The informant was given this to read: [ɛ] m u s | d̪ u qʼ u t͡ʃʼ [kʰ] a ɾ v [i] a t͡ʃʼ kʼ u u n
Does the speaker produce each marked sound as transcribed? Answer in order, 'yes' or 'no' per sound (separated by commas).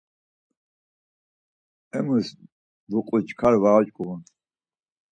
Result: yes, yes, no